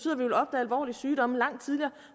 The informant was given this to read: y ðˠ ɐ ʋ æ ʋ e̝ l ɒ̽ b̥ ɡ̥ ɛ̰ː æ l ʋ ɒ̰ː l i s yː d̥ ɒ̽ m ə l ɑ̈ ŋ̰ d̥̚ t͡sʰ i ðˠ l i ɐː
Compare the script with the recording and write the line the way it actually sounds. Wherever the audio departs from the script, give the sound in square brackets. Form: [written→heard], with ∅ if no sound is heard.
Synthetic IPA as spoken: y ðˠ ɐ ʋ [æ→i] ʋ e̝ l ɒ̽ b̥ [ɡ̥→d̥] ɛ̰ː æ l ʋ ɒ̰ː l i s yː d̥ ɒ̽ m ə l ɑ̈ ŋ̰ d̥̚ t͡sʰ i ðˠ l i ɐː